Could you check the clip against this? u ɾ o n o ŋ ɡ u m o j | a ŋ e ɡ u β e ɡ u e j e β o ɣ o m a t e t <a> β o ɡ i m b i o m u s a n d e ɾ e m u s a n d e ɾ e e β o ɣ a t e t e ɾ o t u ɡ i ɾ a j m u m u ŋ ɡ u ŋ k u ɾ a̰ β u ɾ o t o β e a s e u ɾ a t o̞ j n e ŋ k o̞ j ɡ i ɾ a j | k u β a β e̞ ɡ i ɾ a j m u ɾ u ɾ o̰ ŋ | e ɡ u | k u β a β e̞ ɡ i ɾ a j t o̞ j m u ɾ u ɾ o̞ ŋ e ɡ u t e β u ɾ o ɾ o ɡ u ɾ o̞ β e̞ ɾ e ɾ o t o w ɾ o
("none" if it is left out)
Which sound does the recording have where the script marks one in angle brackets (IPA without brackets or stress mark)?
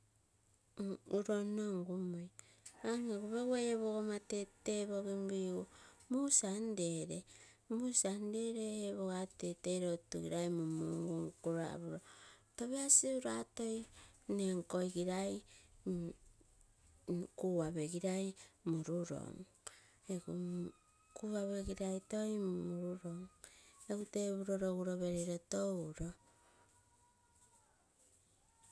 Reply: e